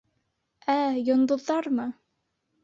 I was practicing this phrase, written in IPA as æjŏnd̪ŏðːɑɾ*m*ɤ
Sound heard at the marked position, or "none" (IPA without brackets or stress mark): m